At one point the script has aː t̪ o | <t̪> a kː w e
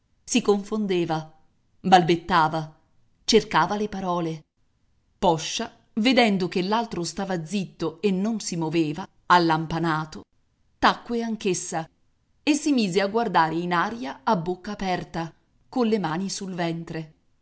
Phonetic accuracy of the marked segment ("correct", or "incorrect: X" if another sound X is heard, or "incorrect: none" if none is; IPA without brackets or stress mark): correct